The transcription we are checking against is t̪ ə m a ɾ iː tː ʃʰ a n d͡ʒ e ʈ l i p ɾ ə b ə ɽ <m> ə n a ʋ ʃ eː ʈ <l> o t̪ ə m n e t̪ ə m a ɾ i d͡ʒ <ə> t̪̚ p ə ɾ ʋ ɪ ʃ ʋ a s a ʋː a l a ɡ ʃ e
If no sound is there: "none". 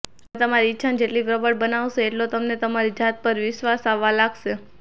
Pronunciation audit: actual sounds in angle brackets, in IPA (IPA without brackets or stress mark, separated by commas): b, l, a